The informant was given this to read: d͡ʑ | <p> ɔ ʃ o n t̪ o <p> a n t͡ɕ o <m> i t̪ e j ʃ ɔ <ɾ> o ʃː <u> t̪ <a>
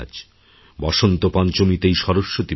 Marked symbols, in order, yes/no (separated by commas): no, yes, yes, yes, no, no